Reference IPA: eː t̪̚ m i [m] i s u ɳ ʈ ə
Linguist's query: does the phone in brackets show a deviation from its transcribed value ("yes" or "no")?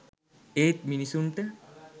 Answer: yes